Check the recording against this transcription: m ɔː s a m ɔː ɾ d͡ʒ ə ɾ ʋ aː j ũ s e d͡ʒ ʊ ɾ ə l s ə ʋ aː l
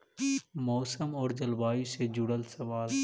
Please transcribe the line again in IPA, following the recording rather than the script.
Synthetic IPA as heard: m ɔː s ə m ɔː ɾ d͡ʒ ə l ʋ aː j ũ s e d͡ʒ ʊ ɽ ə l s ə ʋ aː l